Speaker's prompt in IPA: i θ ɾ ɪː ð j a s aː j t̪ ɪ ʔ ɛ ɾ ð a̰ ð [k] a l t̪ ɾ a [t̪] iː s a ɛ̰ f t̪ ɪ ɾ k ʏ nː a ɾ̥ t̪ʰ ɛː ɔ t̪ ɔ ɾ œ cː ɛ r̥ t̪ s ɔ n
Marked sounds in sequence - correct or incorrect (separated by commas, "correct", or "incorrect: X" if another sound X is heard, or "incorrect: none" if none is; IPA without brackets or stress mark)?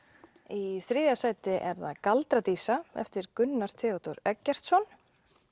correct, correct